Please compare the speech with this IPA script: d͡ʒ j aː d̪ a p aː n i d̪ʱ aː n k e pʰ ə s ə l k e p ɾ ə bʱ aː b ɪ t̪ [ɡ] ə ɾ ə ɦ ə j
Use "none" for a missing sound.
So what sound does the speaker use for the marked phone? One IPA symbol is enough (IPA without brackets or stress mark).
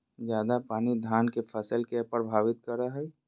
k